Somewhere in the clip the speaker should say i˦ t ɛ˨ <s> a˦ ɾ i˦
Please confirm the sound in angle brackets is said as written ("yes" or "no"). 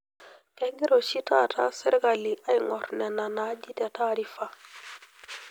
no